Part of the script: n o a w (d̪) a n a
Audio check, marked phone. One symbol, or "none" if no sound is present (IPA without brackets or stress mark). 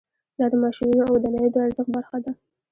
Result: d̪